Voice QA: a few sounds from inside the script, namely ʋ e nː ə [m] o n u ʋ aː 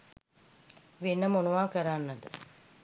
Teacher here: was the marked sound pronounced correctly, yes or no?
yes